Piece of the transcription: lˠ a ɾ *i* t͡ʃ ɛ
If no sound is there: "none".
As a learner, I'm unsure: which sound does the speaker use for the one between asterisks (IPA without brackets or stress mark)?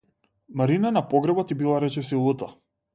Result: ɛ